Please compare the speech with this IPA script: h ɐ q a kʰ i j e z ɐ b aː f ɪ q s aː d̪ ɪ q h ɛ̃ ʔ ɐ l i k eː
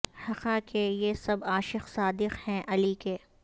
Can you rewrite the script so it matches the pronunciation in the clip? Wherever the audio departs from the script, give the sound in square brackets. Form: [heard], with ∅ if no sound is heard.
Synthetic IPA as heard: h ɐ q a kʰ [e] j e [s] ɐ b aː [ʃ] ɪ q s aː d̪ ɪ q h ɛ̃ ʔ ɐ l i k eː